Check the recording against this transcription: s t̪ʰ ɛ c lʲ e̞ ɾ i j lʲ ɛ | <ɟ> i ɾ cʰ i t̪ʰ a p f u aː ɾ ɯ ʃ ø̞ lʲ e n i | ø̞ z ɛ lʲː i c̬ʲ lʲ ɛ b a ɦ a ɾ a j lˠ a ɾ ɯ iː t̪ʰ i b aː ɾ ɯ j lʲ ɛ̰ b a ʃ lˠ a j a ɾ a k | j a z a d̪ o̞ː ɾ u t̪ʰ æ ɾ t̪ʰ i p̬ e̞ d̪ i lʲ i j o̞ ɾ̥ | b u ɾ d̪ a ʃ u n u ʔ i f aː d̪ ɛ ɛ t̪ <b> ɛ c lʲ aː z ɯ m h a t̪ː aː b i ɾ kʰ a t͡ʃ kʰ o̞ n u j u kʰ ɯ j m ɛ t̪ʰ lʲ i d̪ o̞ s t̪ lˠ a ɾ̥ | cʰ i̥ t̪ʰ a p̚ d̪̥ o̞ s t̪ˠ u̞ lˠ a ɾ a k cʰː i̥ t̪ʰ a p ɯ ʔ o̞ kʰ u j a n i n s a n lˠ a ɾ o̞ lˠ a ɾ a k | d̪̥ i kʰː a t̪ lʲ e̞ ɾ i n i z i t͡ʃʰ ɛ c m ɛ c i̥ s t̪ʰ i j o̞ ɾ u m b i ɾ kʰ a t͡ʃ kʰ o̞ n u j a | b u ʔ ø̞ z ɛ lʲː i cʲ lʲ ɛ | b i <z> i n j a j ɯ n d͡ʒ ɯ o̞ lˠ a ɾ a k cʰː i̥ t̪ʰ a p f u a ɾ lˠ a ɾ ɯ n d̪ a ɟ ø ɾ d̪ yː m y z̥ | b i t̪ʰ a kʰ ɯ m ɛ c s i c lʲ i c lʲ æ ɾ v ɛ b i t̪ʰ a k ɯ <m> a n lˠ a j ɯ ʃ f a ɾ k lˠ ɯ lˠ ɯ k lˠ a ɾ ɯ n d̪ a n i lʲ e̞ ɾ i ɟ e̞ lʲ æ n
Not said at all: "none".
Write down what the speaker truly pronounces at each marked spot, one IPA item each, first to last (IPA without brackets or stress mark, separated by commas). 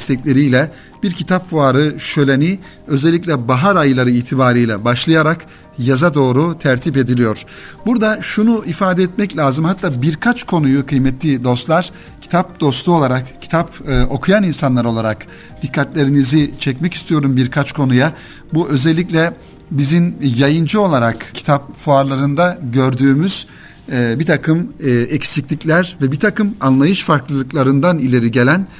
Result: b, m, z, m